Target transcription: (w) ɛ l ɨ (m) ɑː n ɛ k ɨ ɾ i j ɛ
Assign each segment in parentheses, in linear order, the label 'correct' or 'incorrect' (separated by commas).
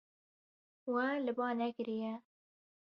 correct, incorrect